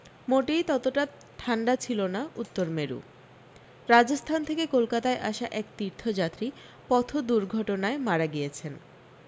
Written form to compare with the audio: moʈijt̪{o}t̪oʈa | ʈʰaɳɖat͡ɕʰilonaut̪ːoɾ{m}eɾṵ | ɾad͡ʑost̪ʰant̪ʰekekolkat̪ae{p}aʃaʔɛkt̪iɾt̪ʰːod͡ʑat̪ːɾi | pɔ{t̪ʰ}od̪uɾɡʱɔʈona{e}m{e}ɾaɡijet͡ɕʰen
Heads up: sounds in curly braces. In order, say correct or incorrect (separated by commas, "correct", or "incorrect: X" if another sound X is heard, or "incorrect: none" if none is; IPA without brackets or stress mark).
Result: incorrect: ɔ, correct, incorrect: ʔ, correct, correct, incorrect: a